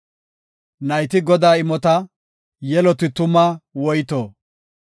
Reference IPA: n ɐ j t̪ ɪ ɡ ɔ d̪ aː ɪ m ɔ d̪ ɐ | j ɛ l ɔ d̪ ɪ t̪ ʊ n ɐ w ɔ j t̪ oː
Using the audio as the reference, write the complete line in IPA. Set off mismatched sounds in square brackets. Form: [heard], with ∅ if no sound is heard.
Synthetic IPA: n ɐ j t̪ ɪ ɡ ɔ d̪ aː ɪ m ɔ [t̪] ɐ | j ɛ l ɔ [t̪] ɪ t̪ ʊ [m] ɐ w ɔ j t̪ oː